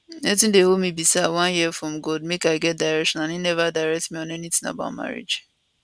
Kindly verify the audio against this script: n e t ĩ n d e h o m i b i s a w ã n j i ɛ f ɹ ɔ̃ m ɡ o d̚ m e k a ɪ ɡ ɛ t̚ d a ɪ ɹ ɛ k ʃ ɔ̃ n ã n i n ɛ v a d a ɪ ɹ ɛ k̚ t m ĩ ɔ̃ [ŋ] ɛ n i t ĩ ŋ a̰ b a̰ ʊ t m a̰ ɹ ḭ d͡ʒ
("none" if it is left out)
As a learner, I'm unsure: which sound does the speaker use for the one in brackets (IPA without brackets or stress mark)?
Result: n